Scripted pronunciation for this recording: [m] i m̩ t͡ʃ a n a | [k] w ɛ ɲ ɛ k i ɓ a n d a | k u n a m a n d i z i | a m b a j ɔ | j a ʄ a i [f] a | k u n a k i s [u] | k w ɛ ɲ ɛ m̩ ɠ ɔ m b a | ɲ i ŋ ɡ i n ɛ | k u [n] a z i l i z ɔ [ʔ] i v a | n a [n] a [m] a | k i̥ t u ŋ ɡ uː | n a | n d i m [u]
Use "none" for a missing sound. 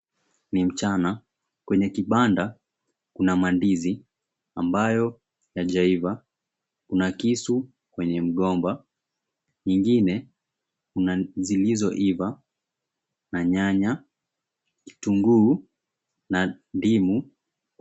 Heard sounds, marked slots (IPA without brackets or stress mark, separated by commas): n, k, v, u, n, ʔ, ɲ, ɲ, u